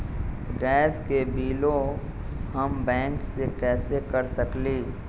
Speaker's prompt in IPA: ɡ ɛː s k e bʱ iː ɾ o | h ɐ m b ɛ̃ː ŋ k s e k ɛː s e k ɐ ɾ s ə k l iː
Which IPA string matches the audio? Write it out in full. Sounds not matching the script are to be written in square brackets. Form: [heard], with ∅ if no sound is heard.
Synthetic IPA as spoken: ɡ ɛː s k e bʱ iː [l] o | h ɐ m b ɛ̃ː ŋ k s e k ɛː s e k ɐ ɾ s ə k l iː